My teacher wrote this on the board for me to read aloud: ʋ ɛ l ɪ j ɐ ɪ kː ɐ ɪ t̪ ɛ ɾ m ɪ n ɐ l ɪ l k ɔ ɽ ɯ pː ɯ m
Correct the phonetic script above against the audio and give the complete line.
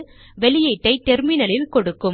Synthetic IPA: ʋ ɛ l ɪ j ɐ ɪ ʈː ɐ ɪ t̪ ɛ ɾ m ɪ n ɐ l ɪ l k ɔ ɽ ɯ kː ɯ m